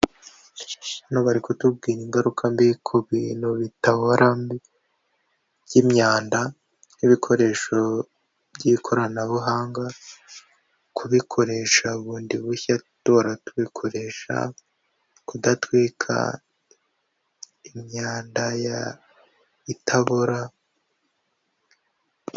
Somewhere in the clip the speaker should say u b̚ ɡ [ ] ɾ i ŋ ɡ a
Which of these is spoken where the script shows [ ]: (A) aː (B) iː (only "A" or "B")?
B